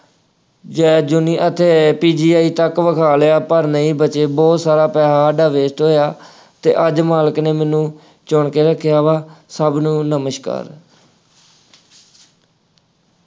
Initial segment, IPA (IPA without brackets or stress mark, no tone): d͡ʒ